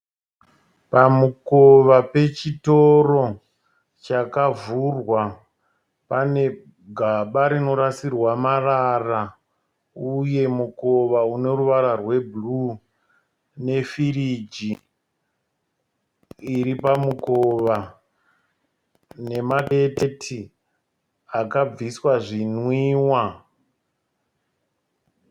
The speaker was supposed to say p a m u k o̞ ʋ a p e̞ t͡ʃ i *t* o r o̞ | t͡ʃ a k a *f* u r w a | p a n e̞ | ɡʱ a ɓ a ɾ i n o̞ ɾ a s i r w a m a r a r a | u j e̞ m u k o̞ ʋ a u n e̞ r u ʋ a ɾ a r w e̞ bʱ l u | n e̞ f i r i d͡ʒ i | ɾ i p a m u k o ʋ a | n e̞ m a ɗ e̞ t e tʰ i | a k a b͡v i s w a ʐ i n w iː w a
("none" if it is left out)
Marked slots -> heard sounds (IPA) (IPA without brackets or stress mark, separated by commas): t, v